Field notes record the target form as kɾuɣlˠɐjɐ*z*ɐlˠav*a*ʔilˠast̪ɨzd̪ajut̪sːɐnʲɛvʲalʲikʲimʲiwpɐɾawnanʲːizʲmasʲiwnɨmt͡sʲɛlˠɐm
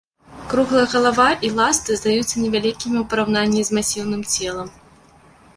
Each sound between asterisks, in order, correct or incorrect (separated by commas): incorrect, correct